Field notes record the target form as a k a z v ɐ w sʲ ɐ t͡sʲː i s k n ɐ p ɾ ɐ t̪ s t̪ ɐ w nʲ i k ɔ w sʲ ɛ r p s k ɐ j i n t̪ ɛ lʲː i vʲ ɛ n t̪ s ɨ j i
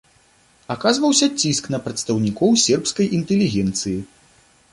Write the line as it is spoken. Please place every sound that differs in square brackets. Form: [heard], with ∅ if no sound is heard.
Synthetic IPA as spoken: a k a z v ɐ w sʲ ɐ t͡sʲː i s k n ɐ p ɾ ɐ t̪ s t̪ ɐ w nʲ i k ɔ w sʲ ɛ r p s k ɐ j i n t̪ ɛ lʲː i [ɣʲ] ɛ n t̪ s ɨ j i